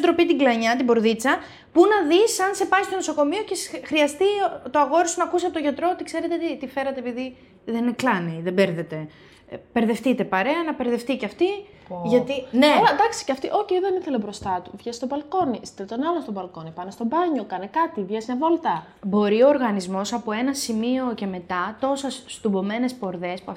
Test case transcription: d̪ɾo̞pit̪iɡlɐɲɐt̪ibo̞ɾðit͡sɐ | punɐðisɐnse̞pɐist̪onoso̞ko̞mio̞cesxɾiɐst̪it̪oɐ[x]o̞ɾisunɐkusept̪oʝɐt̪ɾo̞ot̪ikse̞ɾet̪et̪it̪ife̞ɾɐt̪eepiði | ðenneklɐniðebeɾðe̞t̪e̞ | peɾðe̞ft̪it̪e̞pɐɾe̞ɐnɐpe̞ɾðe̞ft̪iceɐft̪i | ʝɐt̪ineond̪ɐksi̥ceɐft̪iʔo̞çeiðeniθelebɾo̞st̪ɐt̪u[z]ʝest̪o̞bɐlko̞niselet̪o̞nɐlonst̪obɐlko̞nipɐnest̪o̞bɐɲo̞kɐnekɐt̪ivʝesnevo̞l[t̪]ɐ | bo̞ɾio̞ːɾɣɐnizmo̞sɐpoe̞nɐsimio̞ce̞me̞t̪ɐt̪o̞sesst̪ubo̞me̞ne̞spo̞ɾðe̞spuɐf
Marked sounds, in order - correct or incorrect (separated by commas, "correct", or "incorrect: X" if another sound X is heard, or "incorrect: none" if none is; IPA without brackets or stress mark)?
incorrect: ɣ, incorrect: v, correct